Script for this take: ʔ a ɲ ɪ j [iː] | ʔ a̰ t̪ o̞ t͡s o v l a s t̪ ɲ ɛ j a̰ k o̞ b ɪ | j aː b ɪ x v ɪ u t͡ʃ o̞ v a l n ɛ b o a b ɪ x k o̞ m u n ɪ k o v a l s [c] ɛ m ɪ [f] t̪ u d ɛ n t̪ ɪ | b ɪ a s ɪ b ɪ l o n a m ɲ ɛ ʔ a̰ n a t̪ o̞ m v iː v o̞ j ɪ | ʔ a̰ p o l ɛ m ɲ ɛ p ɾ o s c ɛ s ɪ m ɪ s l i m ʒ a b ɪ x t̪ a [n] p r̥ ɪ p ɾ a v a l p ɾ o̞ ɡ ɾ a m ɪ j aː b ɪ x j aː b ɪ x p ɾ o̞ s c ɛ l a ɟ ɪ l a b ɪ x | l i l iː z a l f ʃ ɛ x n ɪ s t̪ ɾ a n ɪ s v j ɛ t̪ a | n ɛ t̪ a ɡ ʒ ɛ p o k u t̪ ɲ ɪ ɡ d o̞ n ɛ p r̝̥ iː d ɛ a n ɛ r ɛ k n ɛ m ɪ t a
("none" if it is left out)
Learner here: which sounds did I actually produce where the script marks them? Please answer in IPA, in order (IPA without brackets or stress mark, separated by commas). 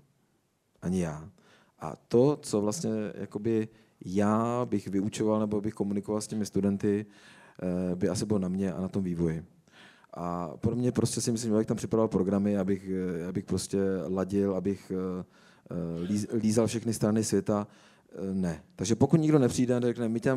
aː, c, s, m